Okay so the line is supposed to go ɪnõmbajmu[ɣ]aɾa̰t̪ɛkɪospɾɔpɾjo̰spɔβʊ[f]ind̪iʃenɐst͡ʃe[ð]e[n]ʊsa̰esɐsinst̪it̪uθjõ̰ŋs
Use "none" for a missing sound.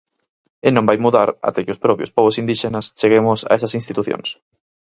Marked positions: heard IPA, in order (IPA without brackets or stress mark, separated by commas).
ð, s, ɣ, m